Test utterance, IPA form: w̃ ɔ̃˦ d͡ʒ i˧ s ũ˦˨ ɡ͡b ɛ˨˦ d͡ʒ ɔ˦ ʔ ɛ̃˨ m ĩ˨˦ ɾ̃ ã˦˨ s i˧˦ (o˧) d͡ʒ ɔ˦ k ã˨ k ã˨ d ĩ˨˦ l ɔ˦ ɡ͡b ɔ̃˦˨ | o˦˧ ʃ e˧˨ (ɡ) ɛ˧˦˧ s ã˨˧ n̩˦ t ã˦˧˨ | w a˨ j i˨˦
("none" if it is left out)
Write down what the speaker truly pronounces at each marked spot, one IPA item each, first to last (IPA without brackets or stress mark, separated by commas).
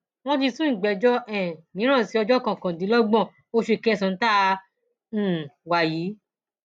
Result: ɔ˧, k